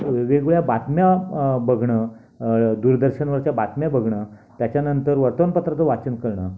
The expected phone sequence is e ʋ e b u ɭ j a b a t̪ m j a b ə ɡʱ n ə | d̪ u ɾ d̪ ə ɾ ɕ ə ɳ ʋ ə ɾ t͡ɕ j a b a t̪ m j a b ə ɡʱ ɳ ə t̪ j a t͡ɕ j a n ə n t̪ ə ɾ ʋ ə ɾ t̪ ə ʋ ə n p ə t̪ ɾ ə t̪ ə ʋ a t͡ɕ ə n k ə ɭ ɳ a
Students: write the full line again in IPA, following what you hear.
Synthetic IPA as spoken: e ʋ e ɡ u ɭ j a b a t̪ m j a b ə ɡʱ ɳ ə | d̪ u ɾ d̪ ə ɾ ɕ ə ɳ ʋ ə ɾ t͡ɕ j a b a t̪ m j a b ə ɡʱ ɳ ə t̪ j a t͡ɕ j a n ə n t̪ ə ɾ ʋ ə ɾ t̪ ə ʋ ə n p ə t̪ ɾ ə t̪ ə ʋ a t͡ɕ ə n k ə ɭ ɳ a